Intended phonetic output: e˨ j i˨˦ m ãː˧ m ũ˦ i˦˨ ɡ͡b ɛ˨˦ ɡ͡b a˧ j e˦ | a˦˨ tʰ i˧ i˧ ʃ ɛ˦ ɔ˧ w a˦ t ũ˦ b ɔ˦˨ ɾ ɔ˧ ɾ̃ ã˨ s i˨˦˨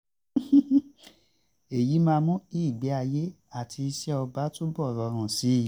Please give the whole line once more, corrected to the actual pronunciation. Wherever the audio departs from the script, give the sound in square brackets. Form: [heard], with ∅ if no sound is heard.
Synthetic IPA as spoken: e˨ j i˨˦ m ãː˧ m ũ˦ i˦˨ ɡ͡b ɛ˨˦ [∅] a˧ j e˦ | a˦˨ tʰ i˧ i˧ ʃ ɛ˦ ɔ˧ [b] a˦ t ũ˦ b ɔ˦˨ ɾ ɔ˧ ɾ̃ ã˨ s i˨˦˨